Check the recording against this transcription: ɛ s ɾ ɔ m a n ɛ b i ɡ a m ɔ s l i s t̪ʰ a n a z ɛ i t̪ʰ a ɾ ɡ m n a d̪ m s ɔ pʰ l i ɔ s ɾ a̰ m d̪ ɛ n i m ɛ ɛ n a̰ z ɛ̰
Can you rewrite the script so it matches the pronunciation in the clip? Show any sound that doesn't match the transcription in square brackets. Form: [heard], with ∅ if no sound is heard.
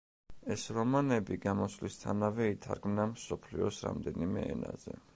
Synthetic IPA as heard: ɛ s ɾ ɔ m a n ɛ b i ɡ a m ɔ s l i s t̪ʰ a n a [v] ɛ i t̪ʰ a ɾ ɡ m n a [∅] m s ɔ pʰ l i ɔ s ɾ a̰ m d̪ ɛ n i m ɛ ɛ n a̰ z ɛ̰

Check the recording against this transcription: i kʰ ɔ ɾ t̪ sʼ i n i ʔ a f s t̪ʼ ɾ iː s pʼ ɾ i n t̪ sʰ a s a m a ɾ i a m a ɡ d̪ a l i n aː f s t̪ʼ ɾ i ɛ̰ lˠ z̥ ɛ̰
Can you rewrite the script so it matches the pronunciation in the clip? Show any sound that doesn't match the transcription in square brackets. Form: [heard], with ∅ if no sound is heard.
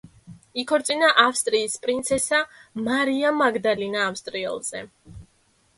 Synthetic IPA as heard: i kʰ ɔ ɾ t̪ sʼ i n [a] ʔ a f s t̪ʼ ɾ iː s pʼ ɾ i n t̪ sʰ [ɛ] s a m a ɾ i a m a ɡ d̪ a l i n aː f s t̪ʼ ɾ i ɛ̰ lˠ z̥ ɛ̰

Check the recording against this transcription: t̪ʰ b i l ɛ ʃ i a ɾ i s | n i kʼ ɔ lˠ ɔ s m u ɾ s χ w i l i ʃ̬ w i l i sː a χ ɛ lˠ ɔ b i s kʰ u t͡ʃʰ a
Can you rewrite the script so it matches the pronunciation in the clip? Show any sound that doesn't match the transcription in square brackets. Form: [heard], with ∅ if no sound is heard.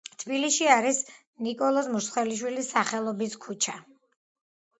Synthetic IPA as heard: t̪ʰ b i l [i] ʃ i a ɾ i s | n i kʼ ɔ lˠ ɔ s m u ɾ s χ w [ɛ] l i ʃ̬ w i l i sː a χ ɛ lˠ ɔ b i s kʰ u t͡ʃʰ a

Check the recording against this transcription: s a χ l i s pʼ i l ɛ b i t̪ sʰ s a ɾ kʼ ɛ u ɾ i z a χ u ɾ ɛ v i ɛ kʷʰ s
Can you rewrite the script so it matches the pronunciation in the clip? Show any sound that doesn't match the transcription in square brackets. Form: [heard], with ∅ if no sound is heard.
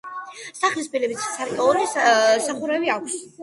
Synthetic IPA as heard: s a χ l i s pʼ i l ɛ b i t̪ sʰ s a ɾ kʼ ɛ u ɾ i [s] a χ u ɾ ɛ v i [a] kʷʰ s

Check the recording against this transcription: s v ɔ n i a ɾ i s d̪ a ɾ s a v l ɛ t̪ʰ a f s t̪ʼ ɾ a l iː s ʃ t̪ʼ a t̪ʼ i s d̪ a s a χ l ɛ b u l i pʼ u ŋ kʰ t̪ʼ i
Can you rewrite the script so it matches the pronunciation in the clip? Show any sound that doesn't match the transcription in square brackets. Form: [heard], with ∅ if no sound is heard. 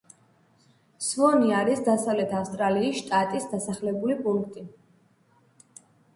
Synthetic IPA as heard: s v ɔ n i a ɾ i s d̪ a [∅] s a v l ɛ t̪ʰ a f s t̪ʼ ɾ a l iː s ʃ t̪ʼ a t̪ʼ i s d̪ a s a χ l ɛ b u l i pʼ u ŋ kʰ t̪ʼ i

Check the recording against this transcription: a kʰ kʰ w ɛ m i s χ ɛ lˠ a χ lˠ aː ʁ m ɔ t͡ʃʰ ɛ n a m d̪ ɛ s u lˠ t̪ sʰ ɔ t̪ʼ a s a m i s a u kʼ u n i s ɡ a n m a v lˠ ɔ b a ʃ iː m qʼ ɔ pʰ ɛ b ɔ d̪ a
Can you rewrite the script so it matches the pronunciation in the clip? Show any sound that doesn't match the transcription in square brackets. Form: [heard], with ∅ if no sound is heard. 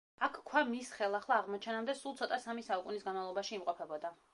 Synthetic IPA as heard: a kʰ kʰ w [a] m i s χ ɛ lˠ a χ lˠ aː ʁ m ɔ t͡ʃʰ ɛ n a m d̪ ɛ s u lˠ t̪ sʰ ɔ t̪ʼ a s a m i s a u kʼ u n i s ɡ a n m a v lˠ ɔ b a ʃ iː m qʼ ɔ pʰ ɛ b ɔ d̪ a

